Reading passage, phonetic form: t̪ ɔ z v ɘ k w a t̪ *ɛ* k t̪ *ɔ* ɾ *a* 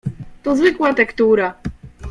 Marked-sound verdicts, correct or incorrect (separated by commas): correct, incorrect, correct